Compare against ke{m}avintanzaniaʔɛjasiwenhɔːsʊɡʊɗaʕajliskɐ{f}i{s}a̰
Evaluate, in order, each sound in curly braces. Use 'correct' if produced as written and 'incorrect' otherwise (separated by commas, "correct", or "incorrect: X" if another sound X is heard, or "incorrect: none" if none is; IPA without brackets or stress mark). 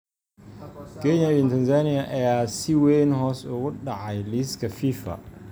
incorrect: ɲ, correct, incorrect: f